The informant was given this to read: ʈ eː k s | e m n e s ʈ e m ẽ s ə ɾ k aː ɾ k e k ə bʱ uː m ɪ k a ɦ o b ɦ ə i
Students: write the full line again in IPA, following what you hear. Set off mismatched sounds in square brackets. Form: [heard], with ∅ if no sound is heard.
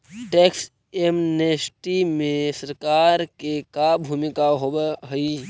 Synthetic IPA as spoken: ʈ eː k s | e m n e s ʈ [i] m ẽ s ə ɾ k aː ɾ k e k [a] bʱ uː m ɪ k a ɦ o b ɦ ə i